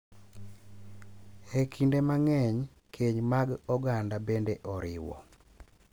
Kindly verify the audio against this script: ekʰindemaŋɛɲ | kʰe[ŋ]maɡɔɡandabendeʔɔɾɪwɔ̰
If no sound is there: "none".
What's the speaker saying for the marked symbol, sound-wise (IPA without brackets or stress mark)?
ɲ